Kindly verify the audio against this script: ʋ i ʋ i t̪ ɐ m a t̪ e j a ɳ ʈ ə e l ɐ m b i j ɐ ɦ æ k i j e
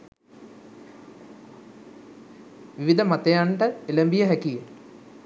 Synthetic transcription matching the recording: ʋ i ʋ i d̪ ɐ m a t̪ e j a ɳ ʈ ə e l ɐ m b i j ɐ ɦ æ k i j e

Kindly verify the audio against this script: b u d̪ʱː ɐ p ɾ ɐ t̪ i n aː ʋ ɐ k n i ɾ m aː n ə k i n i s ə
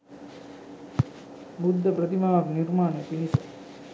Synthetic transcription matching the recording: b u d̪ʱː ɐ p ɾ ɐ t̪ i m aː ʋ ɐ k n i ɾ m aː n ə p i n i s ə

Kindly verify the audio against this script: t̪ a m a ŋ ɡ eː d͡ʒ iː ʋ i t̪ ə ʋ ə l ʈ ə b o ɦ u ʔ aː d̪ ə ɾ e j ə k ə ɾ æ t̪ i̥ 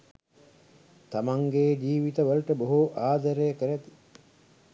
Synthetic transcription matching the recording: t̪ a m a ŋ ɡ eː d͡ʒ iː ʋ i t̪ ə ʋ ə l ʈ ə b o ɦ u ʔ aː d̪ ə ɾ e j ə k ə ɾ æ t̪ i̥

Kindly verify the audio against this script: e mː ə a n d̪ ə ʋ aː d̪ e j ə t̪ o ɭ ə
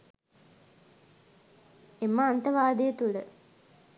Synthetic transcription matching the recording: e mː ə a n t̪ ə ʋ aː d̪ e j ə t̪ u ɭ ə

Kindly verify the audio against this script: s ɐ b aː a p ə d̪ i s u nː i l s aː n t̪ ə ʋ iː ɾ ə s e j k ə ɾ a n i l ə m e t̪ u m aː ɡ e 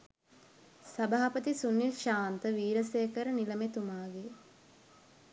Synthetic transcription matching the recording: s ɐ b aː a p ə t̪ i s u nː i l ʃ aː n t̪ ə ʋ iː ɾ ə s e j k ə ɾ ə n i l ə m e t̪ u m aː ɡ e

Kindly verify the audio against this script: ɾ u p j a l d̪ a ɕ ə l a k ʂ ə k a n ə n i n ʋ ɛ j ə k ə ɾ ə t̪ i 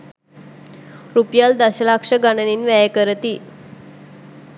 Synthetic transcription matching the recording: ɾ u p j a l d̪ a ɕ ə l a k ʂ ə ɡ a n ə n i n ʋ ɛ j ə k ə ɾ ə t̪ i

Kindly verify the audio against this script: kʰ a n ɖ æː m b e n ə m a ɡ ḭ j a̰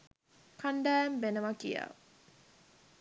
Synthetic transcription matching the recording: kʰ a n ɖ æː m b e n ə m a k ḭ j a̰

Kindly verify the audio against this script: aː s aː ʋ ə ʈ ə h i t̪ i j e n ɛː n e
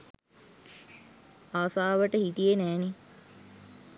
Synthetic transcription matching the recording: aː s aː ʋ ə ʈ ə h i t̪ i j e n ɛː n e

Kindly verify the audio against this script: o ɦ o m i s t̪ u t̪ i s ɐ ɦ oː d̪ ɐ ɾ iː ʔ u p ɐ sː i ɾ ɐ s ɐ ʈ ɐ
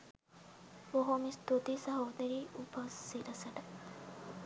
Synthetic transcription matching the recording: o ɦ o m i s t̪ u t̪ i s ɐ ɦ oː d̪ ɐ ɾ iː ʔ u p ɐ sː i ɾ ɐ s ɐ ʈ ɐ

